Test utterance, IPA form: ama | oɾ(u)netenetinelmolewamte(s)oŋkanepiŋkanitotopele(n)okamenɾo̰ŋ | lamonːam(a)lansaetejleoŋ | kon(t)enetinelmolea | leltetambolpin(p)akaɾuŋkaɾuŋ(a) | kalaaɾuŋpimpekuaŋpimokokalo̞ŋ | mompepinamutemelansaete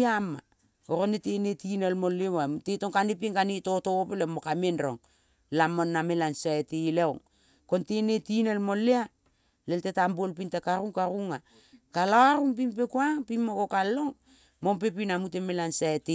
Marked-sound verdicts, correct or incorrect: incorrect, incorrect, incorrect, incorrect, correct, incorrect, correct

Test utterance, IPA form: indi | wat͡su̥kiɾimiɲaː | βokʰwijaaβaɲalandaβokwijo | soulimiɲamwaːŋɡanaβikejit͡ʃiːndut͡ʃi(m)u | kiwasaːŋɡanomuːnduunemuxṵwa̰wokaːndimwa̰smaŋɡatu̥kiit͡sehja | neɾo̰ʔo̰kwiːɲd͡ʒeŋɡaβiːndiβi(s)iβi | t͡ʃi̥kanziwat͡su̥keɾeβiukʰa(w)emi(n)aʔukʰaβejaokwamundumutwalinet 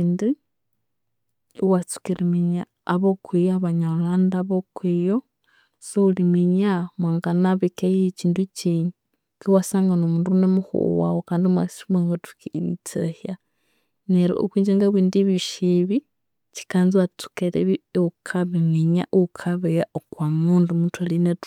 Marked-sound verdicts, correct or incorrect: incorrect, incorrect, incorrect, incorrect

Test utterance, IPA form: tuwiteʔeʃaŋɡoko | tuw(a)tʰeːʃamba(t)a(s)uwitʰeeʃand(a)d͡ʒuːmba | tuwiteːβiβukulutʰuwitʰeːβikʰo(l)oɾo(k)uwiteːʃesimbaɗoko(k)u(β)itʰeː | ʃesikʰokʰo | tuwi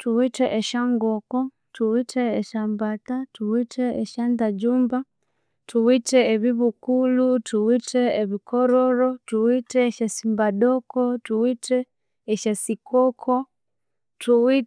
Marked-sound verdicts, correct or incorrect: incorrect, correct, incorrect, correct, incorrect, incorrect, incorrect, incorrect

